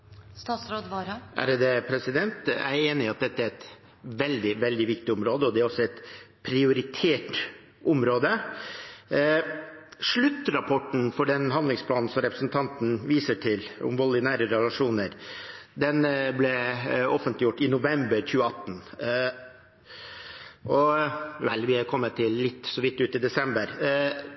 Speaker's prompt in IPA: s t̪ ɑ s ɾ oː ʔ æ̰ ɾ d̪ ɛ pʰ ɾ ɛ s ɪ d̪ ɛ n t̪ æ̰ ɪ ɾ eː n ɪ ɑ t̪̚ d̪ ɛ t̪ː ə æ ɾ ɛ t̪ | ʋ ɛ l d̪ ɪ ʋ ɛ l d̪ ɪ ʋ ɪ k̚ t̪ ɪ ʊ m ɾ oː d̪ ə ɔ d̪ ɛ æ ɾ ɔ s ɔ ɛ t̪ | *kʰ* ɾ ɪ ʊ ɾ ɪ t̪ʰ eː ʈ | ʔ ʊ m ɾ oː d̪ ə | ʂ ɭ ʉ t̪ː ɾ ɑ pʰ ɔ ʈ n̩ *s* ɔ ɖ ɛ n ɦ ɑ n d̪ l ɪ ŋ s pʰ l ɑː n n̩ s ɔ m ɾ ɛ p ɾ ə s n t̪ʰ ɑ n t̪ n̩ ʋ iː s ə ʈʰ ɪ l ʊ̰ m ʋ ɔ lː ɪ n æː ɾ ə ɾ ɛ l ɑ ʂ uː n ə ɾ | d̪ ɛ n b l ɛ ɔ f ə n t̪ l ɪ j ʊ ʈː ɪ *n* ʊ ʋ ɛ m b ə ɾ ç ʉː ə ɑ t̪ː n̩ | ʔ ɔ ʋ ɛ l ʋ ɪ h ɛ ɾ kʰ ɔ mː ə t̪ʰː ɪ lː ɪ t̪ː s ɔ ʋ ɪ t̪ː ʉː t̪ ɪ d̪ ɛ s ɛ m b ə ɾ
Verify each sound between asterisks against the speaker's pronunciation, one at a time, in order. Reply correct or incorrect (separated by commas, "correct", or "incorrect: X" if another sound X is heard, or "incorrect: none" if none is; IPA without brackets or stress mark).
incorrect: pʰ, incorrect: f, correct